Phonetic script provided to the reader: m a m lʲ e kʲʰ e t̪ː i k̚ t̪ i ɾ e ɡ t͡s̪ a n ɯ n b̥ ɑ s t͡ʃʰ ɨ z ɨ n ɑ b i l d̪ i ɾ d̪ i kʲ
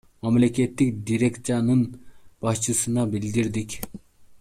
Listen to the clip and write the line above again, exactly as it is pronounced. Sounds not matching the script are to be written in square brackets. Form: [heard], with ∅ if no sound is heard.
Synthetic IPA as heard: m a m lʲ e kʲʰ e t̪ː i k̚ [d̪] i ɾ e [k] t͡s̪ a n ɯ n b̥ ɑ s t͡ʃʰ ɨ [s] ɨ n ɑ b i l d̪ i ɾ d̪ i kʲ